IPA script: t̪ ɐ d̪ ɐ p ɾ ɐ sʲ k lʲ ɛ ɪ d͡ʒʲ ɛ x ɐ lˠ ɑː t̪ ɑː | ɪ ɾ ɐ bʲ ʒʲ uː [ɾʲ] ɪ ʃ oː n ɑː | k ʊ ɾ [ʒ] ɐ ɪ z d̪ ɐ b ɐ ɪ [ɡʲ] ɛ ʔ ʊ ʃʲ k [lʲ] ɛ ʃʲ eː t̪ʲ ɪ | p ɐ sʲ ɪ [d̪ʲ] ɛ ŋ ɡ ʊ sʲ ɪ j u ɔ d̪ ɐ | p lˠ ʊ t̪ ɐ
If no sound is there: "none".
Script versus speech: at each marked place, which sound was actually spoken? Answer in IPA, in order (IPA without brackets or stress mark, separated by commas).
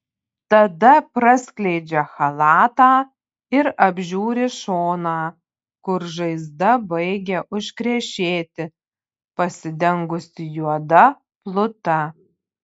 ɾʲ, ʒ, ɡʲ, ɾʲ, d̪ʲ